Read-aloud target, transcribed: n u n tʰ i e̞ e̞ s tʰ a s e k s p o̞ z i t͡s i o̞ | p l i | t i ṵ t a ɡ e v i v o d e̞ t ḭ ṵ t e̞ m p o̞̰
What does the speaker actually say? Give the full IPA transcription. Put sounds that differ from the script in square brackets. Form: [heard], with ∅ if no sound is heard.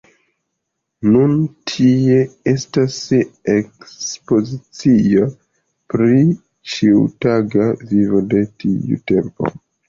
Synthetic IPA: n u n tʰ i e̞ e̞ s [t] a s e k s p o̞ z i t͡s i o̞ | p [ɾ] i | [t͡ʃ] i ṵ t a ɡ [a] v i v o d e̞ t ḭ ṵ t e̞ m p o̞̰